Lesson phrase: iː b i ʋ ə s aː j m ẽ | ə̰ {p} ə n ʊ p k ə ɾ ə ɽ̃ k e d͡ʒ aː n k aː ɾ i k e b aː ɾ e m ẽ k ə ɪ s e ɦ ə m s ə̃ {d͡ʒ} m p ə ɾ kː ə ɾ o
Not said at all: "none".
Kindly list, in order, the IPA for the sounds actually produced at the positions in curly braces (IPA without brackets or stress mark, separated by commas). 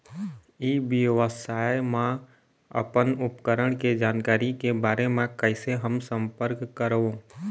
p, none